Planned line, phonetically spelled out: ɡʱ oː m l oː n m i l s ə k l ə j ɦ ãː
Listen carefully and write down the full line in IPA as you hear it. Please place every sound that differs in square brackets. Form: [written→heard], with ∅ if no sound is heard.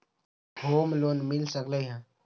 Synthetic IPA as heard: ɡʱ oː m l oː n m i l s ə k l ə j ɦ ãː